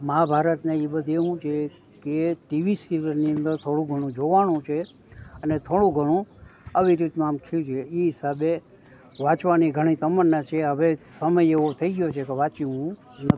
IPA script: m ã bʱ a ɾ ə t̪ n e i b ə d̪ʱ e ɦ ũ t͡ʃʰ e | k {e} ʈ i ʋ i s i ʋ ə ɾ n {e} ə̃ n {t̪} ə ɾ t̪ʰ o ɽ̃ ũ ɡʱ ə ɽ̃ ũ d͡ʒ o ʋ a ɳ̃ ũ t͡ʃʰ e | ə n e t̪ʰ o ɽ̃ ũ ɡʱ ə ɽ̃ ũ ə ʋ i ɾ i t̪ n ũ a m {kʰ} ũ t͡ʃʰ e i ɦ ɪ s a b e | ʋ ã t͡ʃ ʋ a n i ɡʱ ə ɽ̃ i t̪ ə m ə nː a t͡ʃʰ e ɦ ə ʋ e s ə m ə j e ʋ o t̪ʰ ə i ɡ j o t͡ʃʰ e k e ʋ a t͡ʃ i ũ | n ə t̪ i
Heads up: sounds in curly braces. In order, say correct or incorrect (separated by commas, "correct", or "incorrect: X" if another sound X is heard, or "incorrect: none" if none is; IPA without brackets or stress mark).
correct, incorrect: i, incorrect: d̪, correct